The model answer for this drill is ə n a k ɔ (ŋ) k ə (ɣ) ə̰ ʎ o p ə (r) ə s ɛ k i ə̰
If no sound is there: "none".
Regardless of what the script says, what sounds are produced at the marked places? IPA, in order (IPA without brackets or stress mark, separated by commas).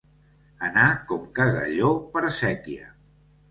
m, ɣ, ɾ